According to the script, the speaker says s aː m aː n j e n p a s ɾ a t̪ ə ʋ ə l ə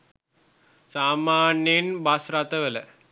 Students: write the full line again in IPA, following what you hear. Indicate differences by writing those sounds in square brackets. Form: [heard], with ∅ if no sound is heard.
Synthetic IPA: s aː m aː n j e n [b] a s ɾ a t̪ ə ʋ ə l ə